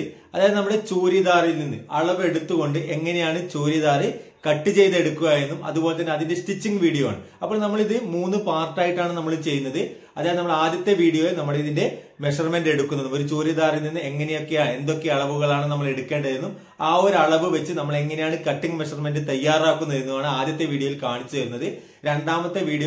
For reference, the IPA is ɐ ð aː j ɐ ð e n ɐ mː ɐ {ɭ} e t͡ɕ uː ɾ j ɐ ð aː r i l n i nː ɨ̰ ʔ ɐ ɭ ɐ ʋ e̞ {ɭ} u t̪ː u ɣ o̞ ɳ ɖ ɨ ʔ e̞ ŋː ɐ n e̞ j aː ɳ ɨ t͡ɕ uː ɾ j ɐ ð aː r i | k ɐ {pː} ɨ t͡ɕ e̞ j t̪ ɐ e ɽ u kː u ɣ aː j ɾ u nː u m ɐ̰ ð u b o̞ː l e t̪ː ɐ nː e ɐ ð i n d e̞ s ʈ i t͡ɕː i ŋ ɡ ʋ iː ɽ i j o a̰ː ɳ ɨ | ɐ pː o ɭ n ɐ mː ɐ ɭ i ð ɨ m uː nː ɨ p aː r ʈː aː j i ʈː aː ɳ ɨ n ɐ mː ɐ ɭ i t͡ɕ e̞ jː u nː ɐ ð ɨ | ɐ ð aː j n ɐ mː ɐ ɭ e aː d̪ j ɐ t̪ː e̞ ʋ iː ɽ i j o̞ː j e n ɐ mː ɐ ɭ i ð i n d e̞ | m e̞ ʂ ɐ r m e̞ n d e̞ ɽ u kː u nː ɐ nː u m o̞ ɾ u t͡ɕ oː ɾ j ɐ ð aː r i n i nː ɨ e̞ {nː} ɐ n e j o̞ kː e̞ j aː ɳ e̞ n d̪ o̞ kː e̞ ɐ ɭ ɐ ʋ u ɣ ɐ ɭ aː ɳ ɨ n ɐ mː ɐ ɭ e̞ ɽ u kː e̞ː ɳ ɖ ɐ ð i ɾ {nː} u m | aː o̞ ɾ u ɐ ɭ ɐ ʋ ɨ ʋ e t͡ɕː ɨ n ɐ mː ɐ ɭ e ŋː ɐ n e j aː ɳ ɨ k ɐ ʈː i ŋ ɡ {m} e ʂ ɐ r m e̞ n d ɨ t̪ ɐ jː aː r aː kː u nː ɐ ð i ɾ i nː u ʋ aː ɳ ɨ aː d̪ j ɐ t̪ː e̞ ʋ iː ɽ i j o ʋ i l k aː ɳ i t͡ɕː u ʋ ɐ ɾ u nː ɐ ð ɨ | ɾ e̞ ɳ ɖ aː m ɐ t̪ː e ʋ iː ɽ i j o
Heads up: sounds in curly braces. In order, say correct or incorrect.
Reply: incorrect, incorrect, incorrect, incorrect, correct, correct

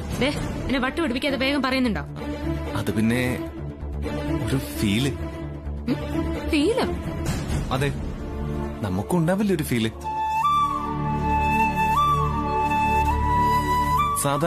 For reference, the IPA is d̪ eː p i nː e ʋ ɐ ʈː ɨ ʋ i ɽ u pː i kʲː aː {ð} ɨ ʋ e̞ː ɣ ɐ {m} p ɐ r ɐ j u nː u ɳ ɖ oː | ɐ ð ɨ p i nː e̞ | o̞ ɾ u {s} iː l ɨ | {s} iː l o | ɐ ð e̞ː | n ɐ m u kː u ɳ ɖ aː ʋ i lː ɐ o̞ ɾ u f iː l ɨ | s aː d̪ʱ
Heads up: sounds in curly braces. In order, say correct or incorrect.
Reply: correct, correct, incorrect, incorrect

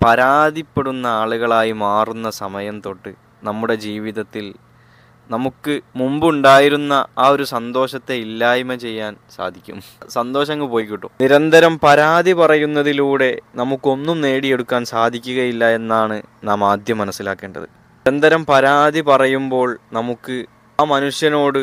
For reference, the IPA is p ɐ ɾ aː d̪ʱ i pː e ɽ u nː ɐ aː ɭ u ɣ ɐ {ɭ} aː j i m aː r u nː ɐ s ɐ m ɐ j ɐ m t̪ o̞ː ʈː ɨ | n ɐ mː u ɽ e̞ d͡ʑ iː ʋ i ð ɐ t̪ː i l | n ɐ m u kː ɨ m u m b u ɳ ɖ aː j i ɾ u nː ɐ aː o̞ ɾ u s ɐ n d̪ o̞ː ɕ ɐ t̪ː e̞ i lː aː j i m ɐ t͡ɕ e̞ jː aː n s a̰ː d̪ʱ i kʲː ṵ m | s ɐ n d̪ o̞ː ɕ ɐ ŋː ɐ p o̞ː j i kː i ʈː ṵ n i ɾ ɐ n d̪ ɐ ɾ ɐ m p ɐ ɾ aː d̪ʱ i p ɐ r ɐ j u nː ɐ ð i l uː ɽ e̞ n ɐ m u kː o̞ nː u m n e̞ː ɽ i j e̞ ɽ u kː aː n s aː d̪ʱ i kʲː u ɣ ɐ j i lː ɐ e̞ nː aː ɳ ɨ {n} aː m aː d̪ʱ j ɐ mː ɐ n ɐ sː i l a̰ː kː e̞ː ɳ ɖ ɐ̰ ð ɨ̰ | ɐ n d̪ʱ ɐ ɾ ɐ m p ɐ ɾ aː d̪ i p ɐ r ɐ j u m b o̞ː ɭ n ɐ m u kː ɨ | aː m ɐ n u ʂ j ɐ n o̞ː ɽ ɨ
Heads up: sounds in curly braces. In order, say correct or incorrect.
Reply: correct, correct

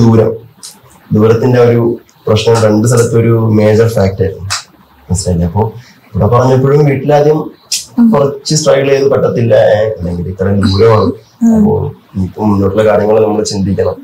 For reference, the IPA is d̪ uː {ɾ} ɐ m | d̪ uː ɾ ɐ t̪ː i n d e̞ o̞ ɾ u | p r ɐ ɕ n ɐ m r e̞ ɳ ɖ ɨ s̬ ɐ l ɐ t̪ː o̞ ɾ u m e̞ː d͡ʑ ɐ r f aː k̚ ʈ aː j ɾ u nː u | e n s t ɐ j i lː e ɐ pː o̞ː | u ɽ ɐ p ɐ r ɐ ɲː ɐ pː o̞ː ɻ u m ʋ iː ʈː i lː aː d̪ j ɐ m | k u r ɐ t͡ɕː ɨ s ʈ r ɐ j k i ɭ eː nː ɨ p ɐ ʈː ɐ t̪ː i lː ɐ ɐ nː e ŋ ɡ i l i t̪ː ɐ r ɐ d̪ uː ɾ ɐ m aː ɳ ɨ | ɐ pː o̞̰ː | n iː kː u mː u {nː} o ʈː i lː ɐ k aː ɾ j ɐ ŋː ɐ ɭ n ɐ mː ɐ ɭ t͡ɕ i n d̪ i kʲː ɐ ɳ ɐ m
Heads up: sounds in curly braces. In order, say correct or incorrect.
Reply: correct, correct

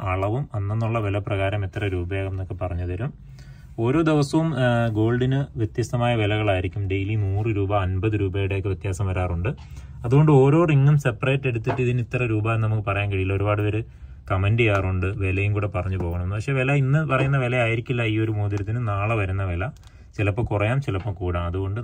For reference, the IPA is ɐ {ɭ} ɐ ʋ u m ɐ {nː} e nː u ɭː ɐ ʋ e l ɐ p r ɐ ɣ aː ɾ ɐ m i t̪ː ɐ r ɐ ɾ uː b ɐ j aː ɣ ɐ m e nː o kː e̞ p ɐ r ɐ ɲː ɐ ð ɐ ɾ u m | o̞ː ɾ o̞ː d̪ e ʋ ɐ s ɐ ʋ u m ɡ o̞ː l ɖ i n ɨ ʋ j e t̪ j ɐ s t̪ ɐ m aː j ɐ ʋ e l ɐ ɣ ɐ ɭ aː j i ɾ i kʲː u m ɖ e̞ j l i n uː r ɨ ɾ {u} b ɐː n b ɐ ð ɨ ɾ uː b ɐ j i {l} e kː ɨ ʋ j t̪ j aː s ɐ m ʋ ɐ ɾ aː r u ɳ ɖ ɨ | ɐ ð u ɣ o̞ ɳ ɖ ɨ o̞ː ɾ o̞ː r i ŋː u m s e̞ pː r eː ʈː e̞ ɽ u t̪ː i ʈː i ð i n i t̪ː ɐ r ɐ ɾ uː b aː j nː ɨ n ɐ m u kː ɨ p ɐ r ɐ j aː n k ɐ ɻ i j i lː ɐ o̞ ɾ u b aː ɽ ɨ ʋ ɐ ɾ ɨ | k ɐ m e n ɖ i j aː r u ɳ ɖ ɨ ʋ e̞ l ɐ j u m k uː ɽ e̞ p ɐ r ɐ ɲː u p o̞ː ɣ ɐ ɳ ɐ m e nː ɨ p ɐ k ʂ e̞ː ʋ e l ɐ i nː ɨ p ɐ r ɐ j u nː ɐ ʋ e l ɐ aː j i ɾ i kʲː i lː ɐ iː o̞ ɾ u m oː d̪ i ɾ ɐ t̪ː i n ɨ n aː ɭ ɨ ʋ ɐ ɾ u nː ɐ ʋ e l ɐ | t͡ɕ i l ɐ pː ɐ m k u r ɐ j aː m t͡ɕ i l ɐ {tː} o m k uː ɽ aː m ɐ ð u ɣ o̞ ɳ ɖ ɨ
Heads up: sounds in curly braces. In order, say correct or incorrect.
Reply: correct, correct, incorrect, incorrect, incorrect

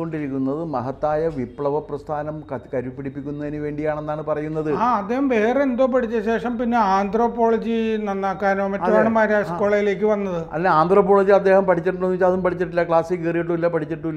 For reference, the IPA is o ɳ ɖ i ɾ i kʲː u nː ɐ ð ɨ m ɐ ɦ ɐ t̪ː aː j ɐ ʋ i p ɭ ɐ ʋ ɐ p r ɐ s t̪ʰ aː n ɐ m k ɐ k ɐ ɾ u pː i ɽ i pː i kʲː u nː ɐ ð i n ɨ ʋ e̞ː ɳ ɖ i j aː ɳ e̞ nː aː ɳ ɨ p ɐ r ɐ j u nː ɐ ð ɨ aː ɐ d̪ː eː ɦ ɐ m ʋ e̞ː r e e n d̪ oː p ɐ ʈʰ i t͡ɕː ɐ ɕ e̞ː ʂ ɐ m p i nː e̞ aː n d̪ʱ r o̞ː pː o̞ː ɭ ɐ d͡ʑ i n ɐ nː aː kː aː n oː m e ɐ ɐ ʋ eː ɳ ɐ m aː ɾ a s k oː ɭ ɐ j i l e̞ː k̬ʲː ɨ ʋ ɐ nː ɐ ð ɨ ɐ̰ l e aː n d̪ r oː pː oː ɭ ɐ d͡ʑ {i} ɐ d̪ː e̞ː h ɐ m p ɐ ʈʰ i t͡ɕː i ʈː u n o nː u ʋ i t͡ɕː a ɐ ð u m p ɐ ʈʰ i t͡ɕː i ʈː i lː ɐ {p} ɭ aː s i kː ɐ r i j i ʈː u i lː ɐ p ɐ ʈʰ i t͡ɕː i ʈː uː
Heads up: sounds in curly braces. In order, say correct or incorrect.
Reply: correct, incorrect

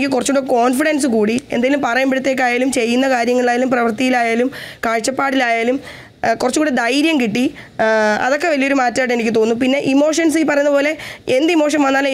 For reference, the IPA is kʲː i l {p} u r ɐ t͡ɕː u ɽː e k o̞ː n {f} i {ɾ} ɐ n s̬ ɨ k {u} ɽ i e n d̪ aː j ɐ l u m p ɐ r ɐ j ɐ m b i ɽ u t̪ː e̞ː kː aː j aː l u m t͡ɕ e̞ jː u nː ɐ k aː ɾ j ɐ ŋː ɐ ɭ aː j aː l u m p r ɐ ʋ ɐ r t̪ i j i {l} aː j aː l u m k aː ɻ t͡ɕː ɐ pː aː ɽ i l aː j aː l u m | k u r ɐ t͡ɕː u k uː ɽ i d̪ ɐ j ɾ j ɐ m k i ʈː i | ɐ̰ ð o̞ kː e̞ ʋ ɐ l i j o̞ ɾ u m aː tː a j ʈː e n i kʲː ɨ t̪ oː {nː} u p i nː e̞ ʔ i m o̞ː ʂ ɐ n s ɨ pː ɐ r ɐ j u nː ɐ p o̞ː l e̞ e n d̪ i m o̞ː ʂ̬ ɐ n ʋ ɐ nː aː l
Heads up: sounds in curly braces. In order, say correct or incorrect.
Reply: incorrect, correct, incorrect, incorrect, correct, correct

